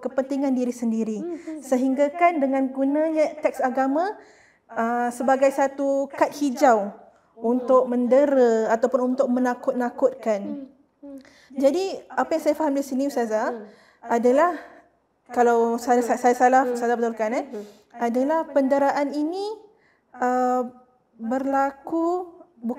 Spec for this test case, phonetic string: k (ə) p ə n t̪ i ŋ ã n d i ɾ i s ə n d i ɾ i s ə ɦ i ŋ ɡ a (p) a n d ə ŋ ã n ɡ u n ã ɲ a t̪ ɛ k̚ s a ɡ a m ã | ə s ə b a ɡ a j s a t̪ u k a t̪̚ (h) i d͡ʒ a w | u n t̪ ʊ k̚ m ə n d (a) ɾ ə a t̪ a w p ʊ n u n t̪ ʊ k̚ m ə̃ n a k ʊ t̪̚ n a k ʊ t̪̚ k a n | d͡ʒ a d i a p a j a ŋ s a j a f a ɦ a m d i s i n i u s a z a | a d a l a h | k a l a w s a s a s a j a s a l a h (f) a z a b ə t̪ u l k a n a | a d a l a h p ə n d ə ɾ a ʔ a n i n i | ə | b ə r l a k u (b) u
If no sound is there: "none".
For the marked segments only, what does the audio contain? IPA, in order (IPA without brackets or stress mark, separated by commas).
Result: ə, k, h, ə, s, b